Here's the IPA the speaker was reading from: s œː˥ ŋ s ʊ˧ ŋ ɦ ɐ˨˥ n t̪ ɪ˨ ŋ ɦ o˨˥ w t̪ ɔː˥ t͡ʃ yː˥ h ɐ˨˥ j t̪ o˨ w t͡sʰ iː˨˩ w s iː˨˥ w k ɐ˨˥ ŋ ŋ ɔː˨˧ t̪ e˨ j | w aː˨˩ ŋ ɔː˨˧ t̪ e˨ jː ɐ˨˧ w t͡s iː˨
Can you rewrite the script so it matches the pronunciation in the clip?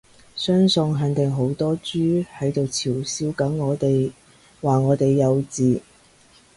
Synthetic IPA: s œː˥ ŋ s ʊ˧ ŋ ɦ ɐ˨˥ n t̪ ɪ˨ ŋ ɦ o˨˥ w t̪ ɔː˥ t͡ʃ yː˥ h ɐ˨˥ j t̪ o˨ w t͡sʰ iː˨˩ w s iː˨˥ w k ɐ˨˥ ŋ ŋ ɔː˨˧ t̪ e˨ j | w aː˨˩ ŋ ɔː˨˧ t̪ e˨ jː ɐ˨˧ w t͡s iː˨